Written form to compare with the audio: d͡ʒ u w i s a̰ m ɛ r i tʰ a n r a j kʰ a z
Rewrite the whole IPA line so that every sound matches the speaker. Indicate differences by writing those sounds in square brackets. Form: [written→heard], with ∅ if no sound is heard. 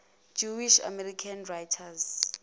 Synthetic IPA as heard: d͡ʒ u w i [s→ʃ] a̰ m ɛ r i [tʰ→kʰ] a n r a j [kʰ→tʰ] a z